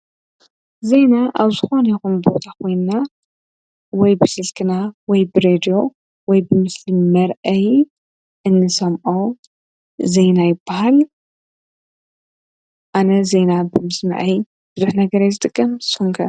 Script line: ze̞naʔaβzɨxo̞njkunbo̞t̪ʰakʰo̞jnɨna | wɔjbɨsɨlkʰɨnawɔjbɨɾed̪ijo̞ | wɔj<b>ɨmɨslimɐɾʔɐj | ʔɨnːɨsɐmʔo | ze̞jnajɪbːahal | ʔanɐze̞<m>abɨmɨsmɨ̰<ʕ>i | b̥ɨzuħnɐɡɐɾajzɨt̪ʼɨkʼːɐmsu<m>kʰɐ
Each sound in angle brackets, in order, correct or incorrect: correct, incorrect: n, correct, incorrect: ŋ

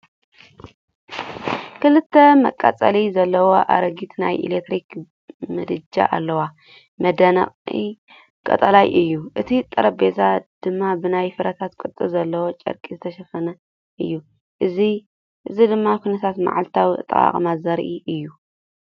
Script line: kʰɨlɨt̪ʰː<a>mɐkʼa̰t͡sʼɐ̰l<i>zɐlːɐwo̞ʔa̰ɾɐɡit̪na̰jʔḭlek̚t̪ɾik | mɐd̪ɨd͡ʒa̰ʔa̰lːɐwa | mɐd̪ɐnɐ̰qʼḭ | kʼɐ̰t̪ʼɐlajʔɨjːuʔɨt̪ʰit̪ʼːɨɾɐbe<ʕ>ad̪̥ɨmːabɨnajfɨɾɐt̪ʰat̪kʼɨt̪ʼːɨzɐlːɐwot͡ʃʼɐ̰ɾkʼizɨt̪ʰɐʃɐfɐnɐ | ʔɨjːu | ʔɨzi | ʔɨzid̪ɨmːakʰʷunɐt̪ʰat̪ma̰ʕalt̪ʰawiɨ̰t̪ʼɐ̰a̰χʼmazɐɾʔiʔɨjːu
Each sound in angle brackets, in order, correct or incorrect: incorrect: ɐ, correct, incorrect: z

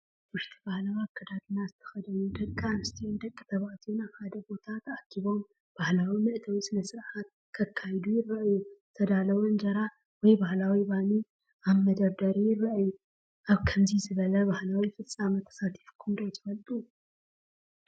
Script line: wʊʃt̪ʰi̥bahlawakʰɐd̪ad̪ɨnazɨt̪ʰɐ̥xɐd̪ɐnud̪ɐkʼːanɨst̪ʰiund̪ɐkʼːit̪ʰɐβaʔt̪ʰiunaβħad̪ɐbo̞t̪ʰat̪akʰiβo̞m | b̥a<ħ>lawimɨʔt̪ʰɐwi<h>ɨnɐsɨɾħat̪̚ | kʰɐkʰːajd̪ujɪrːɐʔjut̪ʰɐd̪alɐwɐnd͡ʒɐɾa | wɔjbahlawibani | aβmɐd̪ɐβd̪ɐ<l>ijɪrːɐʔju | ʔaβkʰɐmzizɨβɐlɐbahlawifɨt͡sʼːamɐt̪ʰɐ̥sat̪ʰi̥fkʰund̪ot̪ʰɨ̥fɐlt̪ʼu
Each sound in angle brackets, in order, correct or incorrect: incorrect: h, incorrect: s, incorrect: ɾ

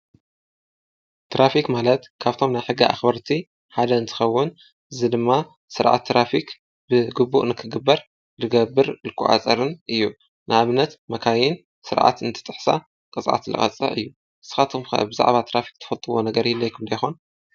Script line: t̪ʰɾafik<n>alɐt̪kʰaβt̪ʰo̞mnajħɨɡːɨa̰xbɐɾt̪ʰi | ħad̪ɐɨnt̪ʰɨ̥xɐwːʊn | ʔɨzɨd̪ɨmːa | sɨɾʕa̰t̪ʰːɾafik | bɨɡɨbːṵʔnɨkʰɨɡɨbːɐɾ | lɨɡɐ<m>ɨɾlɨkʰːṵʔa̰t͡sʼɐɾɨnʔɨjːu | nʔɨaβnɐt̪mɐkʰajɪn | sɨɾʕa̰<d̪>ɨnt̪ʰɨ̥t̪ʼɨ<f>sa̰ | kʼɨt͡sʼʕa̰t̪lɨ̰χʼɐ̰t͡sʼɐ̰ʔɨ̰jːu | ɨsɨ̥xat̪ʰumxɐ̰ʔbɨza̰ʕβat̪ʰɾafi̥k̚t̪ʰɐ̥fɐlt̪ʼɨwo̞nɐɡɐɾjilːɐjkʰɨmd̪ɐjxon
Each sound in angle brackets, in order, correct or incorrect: incorrect: m, incorrect: b, incorrect: t̪, incorrect: ħ

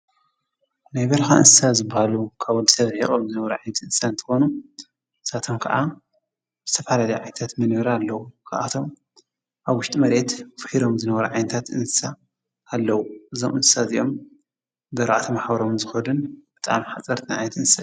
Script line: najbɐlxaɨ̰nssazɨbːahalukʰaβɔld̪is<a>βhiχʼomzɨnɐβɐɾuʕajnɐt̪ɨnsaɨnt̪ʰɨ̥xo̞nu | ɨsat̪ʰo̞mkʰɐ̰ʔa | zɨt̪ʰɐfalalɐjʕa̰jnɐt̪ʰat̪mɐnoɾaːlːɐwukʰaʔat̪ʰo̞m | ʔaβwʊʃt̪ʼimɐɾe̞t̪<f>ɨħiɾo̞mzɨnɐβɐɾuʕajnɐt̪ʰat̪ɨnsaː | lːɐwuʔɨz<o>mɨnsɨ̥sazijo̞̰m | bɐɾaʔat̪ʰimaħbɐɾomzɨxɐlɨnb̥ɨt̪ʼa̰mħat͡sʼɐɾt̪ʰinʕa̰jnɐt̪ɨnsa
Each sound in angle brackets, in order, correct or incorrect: incorrect: ɐ, correct, correct

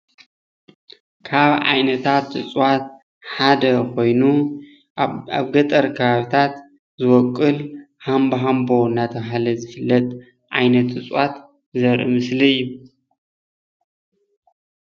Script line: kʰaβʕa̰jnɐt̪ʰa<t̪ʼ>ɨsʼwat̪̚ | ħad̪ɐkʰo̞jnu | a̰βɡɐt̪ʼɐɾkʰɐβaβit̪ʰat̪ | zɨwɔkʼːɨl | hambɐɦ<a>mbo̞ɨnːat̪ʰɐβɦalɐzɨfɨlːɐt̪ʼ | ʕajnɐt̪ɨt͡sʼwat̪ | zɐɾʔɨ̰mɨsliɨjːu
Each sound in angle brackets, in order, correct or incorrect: incorrect: t̪, correct

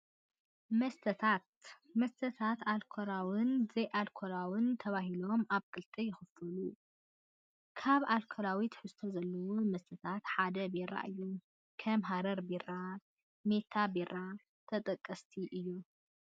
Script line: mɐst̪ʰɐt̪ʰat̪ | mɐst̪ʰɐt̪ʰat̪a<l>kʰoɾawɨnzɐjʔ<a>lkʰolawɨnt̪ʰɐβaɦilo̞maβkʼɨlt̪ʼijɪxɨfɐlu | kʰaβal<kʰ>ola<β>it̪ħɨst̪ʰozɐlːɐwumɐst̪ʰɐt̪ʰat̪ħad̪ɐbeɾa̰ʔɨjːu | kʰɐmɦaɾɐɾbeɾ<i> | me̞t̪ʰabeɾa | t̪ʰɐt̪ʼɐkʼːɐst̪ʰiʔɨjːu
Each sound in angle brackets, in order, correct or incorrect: correct, correct, correct, incorrect: w, incorrect: a

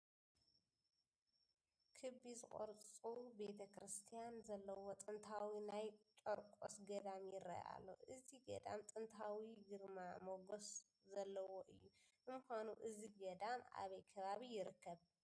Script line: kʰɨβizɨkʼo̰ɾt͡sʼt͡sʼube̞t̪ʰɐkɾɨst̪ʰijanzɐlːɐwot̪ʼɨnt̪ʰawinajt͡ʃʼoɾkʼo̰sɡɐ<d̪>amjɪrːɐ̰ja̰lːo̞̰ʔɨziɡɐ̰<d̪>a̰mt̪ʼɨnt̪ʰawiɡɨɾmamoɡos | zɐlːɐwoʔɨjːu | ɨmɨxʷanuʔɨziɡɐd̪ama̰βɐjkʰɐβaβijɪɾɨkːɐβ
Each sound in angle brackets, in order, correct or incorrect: correct, correct

